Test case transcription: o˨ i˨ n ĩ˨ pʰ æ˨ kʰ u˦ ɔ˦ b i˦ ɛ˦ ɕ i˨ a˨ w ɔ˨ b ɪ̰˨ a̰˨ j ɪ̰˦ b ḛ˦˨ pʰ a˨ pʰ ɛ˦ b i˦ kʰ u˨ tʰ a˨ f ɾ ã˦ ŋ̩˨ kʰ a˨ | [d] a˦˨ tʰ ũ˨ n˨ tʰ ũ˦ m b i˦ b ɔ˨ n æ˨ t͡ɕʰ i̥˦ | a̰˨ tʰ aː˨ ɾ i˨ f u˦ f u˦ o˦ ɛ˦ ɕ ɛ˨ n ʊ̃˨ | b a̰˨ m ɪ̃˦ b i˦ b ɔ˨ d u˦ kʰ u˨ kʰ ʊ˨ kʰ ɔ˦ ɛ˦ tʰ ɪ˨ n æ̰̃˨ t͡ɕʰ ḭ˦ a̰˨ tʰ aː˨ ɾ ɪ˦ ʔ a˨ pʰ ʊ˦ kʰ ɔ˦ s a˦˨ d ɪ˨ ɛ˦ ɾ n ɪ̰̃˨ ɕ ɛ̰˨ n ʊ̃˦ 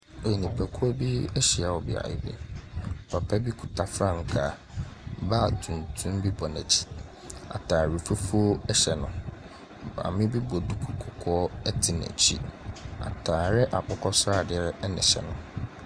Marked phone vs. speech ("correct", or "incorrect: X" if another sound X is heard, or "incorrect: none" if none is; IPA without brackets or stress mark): incorrect: b